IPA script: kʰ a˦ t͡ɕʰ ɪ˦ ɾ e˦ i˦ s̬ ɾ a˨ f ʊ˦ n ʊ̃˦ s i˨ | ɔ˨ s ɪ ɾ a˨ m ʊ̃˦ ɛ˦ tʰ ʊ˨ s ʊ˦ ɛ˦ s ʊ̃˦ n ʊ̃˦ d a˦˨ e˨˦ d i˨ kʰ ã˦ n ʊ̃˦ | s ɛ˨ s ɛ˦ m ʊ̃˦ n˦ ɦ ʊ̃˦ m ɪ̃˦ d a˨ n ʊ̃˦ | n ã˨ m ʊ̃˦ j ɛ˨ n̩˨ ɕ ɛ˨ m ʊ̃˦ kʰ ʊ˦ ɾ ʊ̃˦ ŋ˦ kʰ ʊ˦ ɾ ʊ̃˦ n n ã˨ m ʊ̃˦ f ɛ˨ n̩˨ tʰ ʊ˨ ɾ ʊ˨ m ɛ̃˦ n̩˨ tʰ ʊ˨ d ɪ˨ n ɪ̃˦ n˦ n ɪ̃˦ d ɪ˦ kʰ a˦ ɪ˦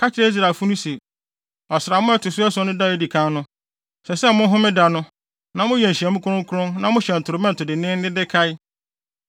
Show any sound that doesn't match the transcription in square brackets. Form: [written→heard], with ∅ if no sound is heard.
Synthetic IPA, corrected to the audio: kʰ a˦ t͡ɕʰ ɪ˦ ɾ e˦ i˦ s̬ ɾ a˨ f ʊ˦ n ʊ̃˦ s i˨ | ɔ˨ s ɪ ɾ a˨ m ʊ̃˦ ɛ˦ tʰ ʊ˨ s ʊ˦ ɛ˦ s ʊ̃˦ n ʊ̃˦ d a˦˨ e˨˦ d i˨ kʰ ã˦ n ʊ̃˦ | s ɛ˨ s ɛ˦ m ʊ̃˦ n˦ ɦ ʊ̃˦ m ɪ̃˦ d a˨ n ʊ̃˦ | n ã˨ m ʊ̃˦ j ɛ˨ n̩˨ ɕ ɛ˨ m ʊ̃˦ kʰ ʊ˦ ɾ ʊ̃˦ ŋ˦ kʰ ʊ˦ ɾ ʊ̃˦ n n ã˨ m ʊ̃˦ [f→ɕ] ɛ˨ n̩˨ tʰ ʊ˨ ɾ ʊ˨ m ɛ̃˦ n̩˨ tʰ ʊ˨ d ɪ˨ n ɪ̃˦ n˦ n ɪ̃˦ d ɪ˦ kʰ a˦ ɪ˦